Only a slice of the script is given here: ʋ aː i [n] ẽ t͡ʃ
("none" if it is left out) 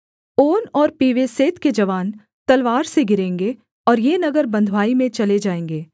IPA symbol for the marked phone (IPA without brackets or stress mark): m